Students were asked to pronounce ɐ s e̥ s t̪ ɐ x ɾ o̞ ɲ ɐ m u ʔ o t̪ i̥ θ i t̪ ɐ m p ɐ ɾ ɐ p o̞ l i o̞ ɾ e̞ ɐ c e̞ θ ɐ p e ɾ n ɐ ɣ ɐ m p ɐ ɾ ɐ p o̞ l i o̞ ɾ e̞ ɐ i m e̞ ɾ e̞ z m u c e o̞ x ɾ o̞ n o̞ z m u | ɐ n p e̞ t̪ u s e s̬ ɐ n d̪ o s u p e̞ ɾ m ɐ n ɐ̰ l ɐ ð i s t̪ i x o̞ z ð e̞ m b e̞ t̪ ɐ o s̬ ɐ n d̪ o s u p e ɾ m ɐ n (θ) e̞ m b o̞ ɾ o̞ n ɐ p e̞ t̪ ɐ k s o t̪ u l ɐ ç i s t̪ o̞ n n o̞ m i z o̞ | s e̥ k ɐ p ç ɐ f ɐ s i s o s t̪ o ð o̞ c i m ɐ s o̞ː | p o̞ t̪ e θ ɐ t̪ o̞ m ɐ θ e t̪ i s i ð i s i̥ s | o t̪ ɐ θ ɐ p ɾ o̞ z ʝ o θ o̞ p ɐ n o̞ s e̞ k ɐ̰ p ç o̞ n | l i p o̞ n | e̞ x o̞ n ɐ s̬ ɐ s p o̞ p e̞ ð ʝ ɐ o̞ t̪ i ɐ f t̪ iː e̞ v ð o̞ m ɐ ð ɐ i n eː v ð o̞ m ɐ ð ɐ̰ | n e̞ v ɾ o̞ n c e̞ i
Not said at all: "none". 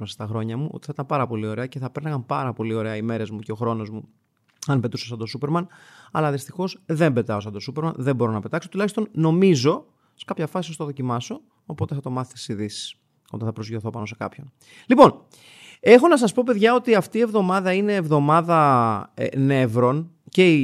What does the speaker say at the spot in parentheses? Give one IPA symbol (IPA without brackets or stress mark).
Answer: ð